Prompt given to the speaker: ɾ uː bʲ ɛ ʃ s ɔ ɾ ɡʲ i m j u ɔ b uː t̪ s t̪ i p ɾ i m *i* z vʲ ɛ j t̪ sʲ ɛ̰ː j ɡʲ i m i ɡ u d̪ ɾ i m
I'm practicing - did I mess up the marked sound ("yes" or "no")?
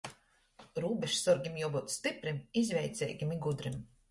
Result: no